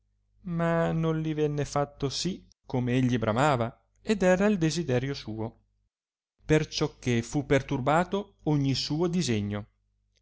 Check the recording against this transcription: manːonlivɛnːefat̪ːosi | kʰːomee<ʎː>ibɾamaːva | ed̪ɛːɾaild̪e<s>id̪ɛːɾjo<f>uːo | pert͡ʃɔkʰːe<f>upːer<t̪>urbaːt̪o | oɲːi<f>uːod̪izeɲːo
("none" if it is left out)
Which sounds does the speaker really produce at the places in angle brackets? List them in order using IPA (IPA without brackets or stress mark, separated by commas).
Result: ʎː, z, s, f, t̪, s